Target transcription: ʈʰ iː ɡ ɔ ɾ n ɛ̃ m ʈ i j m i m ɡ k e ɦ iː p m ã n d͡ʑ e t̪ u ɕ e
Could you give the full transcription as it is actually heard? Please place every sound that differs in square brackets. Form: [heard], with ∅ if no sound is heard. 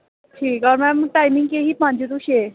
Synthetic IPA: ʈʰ iː [k] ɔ ɾ [m] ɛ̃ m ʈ [a] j m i [ŋ] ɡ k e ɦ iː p m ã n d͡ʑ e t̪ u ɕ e